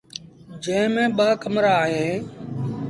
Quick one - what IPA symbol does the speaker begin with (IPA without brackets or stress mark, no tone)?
d͡ʒ